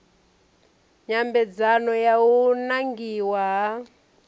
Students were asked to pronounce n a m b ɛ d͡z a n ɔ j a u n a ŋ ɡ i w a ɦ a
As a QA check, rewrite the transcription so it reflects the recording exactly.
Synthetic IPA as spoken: ɲ a m b ɛ d͡z a n ɔ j a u n a ŋ ɡ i w a ɦ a